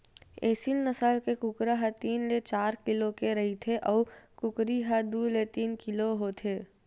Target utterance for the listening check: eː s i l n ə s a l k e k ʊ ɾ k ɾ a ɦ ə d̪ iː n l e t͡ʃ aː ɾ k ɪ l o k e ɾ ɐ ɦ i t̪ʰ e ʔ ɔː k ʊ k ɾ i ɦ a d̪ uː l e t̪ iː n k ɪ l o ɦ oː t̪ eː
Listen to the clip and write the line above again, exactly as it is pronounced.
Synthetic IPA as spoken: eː s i l n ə s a l k e k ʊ k ɾ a ɦ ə t̪ iː n l e t͡ʃ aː ɾ k ɪ l o k e ɾ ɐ ɦ i t̪ʰ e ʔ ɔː k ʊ k ɾ i ɦ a d̪ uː l e t̪ iː n k ɪ l o ɦ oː t̪ʰ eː